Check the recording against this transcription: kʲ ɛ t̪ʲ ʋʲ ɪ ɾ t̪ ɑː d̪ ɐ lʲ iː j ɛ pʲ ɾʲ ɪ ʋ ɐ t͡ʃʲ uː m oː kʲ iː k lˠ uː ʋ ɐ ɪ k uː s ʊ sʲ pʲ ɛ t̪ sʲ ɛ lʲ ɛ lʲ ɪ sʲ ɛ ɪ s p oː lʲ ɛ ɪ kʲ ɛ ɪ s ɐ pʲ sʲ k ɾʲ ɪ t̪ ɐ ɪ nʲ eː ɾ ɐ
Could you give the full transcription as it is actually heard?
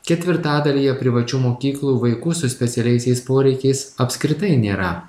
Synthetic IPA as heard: kʲ ɛ t̪ʲ ʋʲ ɪ ɾ t̪ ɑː d̪ ɐ lʲ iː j ɛ pʲ ɾʲ ɪ ʋ ɐ t͡ʃʲ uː m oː kʲ iː k lˠ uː ʋ ɐ ɪ k uː s ʊ sʲ pʲ ɛ t̪ sʲ ɛ lʲ ɛ ɪ sʲ ɛ ɪ s p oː ɾʲ ɛ ɪ kʲ ɛ ɪ s ɐ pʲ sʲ k ɾʲ ɪ t̪ ɐ ɪ nʲ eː ɾ ɐ